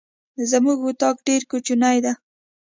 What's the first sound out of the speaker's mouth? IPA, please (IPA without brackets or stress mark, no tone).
z